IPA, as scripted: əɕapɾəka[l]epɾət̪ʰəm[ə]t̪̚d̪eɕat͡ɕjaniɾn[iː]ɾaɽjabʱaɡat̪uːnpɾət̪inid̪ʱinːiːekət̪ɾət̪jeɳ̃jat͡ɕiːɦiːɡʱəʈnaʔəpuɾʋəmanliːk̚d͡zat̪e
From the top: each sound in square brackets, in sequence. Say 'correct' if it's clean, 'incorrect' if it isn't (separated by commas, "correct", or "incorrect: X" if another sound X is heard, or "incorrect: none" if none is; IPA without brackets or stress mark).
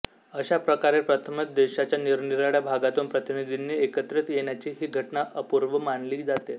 incorrect: ɾ, correct, incorrect: i